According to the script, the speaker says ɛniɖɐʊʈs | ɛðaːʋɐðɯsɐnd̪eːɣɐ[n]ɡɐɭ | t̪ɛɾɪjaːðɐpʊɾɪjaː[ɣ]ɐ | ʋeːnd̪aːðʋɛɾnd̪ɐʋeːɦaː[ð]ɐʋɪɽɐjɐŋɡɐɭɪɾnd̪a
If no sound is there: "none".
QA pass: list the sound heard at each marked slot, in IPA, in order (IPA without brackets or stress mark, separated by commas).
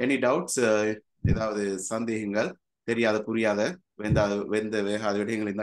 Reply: ŋ, ð, ð